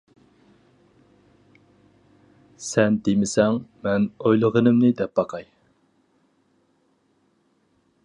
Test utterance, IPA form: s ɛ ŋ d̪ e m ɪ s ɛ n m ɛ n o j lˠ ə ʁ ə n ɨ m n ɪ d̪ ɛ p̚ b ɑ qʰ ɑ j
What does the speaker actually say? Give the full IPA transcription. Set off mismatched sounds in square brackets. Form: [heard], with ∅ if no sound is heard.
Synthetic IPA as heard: s ɛ [n] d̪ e m ɪ s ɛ [ŋ] m ɛ n o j lˠ ə ʁ ə n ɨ m n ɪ d̪ ɛ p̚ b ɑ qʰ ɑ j